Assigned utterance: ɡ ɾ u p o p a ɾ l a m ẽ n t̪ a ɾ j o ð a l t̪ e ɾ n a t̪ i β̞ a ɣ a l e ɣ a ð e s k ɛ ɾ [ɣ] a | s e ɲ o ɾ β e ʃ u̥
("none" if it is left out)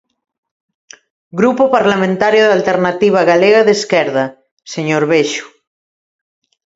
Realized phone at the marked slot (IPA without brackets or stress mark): ð